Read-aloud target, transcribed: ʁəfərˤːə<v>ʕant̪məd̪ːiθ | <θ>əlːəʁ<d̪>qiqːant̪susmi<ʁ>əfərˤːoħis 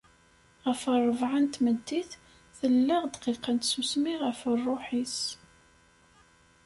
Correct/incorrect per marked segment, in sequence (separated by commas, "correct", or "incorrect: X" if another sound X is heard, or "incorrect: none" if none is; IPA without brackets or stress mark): correct, correct, correct, correct